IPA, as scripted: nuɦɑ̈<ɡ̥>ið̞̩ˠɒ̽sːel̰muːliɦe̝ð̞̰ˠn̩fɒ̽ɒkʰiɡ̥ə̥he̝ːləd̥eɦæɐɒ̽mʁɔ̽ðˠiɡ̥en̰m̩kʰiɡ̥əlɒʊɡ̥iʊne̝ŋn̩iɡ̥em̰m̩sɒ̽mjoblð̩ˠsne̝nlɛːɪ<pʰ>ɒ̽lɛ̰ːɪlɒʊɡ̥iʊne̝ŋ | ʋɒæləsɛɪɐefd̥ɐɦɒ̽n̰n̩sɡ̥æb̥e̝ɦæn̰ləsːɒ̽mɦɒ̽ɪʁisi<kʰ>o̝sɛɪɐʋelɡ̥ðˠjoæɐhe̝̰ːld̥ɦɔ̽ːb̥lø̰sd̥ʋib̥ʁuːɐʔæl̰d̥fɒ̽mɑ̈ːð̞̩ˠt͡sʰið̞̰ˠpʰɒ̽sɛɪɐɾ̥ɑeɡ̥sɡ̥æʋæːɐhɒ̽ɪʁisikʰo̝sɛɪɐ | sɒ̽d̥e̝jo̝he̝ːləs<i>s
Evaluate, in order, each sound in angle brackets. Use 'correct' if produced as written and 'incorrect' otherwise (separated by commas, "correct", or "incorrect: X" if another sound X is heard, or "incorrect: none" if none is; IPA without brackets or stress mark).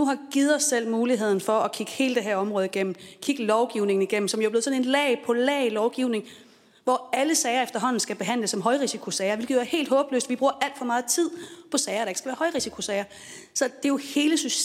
correct, correct, correct, incorrect: y